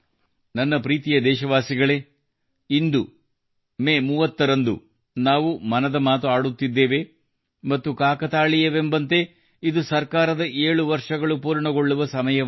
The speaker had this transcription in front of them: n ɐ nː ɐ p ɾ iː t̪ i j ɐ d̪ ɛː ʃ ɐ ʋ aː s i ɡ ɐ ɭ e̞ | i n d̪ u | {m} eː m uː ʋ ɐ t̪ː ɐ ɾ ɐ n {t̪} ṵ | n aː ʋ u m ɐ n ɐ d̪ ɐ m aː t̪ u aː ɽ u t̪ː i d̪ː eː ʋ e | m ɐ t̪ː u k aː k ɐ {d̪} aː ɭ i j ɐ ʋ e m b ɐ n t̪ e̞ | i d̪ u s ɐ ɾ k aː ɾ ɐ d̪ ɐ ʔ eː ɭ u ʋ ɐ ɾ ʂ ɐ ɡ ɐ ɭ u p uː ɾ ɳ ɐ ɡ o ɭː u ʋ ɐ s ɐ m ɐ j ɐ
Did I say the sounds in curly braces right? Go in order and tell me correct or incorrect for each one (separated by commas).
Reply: correct, incorrect, incorrect